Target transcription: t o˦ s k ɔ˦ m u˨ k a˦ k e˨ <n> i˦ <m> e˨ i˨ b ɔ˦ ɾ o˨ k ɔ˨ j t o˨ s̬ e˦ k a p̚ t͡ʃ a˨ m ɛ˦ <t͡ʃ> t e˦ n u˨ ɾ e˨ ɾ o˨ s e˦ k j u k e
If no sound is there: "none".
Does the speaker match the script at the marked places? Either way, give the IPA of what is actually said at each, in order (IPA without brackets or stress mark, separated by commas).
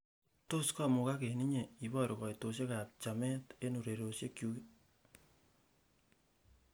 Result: n, ɲ, none